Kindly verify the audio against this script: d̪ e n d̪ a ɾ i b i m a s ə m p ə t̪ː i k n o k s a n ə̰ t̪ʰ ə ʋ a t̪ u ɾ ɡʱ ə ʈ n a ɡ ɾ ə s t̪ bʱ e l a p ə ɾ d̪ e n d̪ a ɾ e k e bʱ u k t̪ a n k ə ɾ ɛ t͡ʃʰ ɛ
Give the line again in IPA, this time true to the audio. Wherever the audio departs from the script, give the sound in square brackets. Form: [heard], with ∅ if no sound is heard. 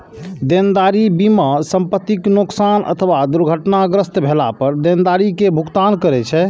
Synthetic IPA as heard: d̪ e n d̪ a ɾ i b i m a s ə m p ə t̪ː i k n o k s a n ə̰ t̪ʰ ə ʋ a [d̪] u ɾ ɡʱ ə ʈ n a ɡ ɾ ə s t̪ bʱ e l a p ə ɾ d̪ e n d̪ a ɾ [i] k e bʱ u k t̪ a n k ə ɾ ɛ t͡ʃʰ ɛ